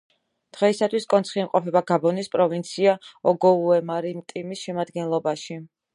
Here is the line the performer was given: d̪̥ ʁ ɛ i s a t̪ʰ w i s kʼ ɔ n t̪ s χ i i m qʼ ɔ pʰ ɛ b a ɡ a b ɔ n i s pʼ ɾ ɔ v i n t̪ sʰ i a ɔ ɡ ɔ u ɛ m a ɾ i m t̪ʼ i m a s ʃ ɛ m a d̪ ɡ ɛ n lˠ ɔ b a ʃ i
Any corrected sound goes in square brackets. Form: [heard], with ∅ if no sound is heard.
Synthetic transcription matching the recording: d̪̥ ʁ ɛ i s a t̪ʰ w i s kʼ ɔ n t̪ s χ i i m qʼ ɔ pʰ ɛ b a ɡ a b ɔ n i s pʼ ɾ ɔ v i n t̪ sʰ i a ɔ ɡ ɔ u ɛ m a ɾ i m t̪ʼ i m [i] s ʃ ɛ m a d̪ ɡ ɛ n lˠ ɔ b a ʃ i